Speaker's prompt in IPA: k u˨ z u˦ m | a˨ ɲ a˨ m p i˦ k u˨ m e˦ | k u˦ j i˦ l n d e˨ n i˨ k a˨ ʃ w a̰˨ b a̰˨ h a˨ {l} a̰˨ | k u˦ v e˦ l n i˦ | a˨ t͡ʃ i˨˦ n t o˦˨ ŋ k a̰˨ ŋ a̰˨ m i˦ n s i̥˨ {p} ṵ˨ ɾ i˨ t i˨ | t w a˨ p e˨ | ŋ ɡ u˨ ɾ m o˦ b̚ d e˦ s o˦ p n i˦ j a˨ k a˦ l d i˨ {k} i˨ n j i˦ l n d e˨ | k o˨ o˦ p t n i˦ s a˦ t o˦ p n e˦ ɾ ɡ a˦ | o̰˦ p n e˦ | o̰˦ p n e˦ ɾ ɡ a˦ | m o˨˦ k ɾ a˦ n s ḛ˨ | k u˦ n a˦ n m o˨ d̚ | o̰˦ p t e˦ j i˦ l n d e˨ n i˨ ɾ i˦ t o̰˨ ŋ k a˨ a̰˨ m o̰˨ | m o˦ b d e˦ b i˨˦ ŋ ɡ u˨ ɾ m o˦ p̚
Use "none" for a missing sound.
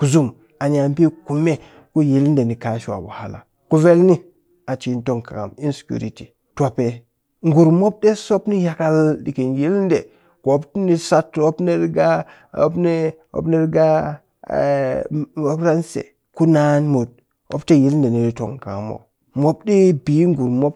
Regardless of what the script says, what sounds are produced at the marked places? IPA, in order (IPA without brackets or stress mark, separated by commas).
l, k, k